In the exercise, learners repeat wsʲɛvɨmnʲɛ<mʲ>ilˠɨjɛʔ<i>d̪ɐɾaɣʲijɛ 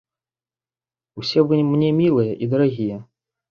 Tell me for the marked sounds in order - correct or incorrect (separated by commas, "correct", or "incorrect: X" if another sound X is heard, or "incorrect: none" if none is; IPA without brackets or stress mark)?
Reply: correct, correct